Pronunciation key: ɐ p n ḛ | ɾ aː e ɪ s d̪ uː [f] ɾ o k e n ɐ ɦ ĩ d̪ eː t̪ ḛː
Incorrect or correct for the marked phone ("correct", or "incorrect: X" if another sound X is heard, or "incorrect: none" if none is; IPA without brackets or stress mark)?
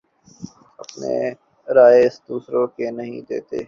incorrect: s